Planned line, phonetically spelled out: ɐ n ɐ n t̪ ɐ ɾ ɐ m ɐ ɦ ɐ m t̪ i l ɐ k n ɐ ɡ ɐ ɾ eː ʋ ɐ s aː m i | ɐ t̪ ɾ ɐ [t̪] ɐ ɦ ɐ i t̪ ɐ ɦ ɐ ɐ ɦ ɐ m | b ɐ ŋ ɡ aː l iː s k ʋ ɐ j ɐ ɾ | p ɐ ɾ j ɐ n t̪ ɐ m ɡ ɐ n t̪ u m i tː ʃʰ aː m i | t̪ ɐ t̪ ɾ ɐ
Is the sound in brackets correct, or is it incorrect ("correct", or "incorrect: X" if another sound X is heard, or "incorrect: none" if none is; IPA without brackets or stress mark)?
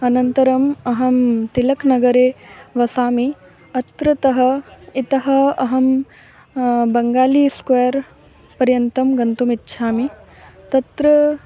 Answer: correct